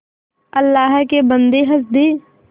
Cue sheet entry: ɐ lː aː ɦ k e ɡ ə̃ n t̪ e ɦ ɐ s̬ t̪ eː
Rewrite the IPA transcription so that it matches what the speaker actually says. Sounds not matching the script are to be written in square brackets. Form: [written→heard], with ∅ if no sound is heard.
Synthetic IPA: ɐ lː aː ɦ k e [ɡ→b] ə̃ n [t̪→d̪] e ɦ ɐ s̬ [t̪→d̪] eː